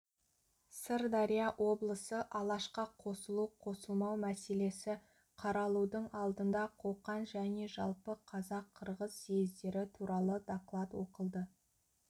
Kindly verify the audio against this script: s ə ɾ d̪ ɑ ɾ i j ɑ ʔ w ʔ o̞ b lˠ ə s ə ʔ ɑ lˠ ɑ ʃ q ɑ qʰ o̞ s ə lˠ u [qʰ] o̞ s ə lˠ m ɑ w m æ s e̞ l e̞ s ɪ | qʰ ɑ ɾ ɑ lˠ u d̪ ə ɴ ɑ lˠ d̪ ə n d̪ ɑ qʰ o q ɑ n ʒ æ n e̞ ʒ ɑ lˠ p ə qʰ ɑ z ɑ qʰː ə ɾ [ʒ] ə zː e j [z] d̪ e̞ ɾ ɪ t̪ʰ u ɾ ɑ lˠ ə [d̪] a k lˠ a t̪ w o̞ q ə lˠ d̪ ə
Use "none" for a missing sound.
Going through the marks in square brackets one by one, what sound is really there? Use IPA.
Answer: qʰ, ʁ, z, d̪

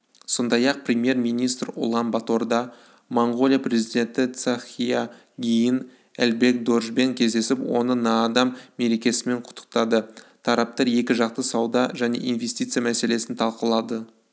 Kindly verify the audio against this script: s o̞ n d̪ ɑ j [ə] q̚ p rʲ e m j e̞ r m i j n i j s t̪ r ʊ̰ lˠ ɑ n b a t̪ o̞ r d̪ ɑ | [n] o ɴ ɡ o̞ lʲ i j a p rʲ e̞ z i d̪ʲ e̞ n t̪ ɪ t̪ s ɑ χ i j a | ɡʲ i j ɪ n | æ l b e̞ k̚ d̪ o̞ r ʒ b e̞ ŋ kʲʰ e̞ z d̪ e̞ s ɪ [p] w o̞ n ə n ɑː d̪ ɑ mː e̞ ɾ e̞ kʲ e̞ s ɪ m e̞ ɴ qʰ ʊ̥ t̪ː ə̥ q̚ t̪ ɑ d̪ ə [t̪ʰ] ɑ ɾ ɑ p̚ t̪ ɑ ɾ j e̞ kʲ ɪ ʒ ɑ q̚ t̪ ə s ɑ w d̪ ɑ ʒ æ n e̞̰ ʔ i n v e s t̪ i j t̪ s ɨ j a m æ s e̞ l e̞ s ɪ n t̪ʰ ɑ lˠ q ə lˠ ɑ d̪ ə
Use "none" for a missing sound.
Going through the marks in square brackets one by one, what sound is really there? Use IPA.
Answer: ɑ, m, p, t̪ʰ

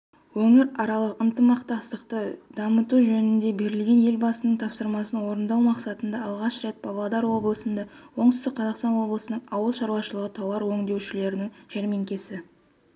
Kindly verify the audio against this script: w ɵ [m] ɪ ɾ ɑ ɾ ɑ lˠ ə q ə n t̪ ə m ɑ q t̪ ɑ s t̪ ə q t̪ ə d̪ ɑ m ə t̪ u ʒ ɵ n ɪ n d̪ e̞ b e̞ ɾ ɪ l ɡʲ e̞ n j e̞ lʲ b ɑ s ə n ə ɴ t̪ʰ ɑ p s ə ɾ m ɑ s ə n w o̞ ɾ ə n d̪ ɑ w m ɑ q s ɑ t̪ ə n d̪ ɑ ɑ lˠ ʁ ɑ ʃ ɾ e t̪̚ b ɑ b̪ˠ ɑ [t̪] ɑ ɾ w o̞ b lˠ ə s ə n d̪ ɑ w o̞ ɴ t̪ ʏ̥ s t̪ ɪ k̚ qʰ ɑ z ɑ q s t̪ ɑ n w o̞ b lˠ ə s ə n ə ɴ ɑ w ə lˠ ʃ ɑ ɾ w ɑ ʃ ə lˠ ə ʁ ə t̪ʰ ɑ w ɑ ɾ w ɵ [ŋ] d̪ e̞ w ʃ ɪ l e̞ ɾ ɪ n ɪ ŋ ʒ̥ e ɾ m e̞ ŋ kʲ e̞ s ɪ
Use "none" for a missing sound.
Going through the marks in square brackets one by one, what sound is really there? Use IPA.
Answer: ŋ, d̪, ŋ

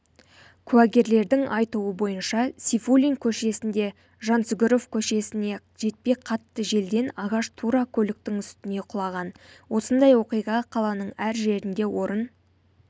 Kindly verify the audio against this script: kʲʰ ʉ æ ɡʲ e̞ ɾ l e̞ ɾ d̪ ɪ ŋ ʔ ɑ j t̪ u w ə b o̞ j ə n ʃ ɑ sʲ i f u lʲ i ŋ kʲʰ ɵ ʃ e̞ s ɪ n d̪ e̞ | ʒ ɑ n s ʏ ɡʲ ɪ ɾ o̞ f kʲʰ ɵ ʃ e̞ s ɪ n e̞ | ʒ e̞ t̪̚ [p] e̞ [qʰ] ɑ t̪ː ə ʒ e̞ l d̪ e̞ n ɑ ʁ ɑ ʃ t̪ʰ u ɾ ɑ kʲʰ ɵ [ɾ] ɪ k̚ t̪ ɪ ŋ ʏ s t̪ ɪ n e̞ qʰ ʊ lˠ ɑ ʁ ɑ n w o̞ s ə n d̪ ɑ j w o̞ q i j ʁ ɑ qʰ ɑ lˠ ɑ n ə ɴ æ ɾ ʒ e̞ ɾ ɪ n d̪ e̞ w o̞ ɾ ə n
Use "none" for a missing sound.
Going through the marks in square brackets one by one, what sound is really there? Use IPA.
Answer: p, qʰ, l

